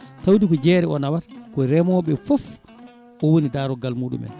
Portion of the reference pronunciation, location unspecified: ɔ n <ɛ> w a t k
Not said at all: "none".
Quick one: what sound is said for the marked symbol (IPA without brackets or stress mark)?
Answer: a